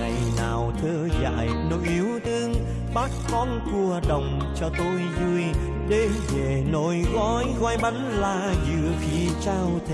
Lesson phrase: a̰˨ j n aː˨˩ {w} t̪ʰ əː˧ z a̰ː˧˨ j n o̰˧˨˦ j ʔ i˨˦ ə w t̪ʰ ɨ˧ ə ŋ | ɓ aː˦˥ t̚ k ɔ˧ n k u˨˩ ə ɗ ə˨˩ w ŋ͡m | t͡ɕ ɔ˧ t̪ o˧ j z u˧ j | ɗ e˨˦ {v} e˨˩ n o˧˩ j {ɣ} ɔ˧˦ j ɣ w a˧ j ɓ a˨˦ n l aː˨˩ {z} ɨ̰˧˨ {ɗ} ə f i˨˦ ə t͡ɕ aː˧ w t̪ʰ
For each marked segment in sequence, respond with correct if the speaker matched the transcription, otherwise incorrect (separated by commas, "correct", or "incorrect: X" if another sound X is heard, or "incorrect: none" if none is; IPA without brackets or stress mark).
correct, correct, correct, correct, incorrect: none